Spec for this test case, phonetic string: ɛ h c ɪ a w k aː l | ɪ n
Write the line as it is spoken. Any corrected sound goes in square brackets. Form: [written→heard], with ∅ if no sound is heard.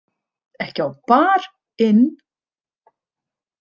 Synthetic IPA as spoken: ɛ h c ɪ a w [k→p] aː [l→ɾ] | ɪ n